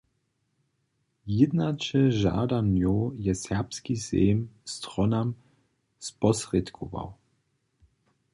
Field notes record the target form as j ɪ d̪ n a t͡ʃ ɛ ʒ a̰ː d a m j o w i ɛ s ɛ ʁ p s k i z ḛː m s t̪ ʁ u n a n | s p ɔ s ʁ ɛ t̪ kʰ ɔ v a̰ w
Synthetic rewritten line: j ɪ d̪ n a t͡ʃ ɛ ʒ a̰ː d a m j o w j ɛ s ɛ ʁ p s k i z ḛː m s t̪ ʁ ɔ n a m | s p ɔ s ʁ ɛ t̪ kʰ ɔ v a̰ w